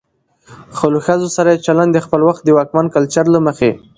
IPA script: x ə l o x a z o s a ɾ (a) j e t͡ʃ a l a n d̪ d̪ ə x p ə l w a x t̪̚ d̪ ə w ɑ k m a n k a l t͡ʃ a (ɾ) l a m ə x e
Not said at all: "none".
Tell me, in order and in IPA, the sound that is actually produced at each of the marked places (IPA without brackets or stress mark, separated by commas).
a, ɾ